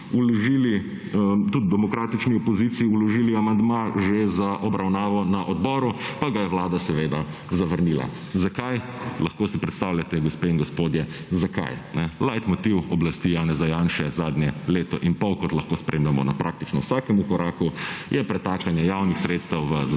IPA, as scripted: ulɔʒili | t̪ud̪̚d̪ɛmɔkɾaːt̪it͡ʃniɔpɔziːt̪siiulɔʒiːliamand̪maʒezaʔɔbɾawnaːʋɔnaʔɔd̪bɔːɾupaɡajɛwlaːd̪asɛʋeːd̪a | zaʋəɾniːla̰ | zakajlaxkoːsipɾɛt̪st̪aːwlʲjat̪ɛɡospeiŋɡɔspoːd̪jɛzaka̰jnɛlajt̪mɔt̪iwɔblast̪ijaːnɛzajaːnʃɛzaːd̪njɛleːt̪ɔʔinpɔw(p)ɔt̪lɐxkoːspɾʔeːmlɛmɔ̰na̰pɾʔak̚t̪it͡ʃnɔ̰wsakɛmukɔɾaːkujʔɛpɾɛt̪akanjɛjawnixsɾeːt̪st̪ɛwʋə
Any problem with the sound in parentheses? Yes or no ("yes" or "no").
yes